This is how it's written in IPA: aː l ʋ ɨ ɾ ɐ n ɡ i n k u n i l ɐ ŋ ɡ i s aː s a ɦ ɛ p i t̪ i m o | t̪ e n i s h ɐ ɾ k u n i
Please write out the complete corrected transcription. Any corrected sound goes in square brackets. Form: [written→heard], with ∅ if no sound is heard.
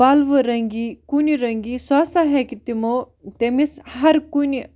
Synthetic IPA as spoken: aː l ʋ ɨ ɾ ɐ [n→ŋ] ɡ i [n→∅] k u n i [l→ɾ] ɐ ŋ ɡ i s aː s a ɦ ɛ [p→k] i t̪ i m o | t̪ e [n→m] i s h ɐ ɾ k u n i